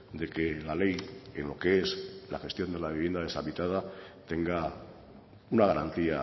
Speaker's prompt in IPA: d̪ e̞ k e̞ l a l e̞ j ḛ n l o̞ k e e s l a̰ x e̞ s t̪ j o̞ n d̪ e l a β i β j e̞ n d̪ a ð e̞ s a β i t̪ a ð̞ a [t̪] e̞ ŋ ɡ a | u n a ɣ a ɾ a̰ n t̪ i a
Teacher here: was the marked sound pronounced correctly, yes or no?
yes